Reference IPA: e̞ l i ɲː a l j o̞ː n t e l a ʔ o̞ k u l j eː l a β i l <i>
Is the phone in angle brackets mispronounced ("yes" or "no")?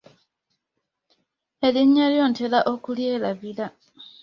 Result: yes